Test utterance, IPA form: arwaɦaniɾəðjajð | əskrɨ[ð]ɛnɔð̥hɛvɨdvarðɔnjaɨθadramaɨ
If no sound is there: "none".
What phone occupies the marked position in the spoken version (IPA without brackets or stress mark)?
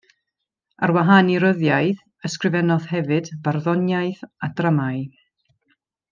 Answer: v